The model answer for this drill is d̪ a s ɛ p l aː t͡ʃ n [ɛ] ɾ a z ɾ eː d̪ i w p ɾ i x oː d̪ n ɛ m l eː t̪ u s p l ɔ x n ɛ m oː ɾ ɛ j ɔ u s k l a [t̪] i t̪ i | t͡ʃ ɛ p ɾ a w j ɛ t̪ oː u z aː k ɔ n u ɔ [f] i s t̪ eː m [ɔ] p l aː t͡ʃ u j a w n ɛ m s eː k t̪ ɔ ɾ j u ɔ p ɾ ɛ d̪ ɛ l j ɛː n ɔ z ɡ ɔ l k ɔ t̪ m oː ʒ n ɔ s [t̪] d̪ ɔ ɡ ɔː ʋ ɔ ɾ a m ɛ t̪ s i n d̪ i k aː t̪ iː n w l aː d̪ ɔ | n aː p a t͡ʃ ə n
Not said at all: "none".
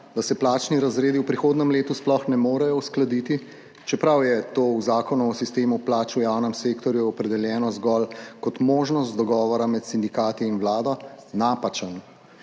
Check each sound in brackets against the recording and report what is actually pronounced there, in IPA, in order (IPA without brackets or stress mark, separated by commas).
i, d̪, s, u, t̪